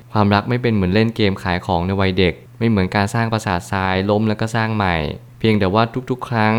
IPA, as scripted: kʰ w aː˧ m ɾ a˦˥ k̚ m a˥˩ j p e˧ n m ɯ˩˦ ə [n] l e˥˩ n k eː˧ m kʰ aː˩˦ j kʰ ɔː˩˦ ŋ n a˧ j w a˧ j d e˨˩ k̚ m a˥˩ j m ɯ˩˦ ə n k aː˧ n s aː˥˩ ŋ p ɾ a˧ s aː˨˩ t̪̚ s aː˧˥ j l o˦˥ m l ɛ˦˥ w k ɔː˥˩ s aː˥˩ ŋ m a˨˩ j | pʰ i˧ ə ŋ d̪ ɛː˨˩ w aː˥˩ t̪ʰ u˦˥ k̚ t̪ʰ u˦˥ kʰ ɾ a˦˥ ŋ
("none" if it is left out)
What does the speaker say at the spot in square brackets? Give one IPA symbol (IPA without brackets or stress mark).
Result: n